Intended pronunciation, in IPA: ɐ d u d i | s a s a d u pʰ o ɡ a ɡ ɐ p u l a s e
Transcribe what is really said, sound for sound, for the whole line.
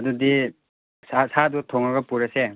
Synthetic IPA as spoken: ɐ d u d i | s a s a d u tʰ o ŋ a ɡ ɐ p u ɾ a s e